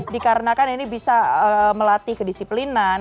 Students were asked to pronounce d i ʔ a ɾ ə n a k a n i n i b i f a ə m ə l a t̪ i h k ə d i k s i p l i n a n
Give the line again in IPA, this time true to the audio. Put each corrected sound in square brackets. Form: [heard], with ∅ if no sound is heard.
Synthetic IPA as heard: d i [k] a ɾ ə n a k a n i n i b i [s] a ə m ə l a t̪ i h k ə d i [∅] s i p l i n a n